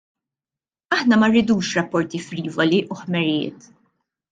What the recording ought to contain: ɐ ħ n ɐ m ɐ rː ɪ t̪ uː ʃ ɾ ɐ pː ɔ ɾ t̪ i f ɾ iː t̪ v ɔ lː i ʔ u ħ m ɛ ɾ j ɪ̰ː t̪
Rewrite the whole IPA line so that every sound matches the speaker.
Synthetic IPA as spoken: ɐ ħ n ɐ m ɐ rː ɪ d̪ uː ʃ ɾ ɐ pː ɔ ɾ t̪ i f ɾ iː v ɔ l i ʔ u ħ m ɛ ɾ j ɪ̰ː t̪